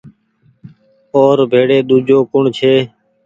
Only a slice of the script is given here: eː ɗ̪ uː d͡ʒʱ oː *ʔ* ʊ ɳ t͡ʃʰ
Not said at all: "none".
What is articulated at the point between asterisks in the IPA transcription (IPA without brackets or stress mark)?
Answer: k